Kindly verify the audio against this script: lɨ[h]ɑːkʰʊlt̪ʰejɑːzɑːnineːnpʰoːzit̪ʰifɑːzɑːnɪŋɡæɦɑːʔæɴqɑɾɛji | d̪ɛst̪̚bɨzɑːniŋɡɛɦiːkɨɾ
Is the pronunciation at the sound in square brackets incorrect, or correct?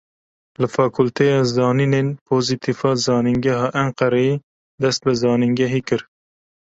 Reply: incorrect: f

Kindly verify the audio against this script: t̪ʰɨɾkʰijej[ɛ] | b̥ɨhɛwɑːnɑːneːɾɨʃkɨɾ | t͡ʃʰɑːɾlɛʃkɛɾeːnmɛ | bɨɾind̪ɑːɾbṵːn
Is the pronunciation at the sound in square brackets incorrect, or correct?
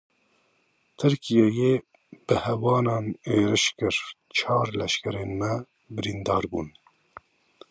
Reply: incorrect: e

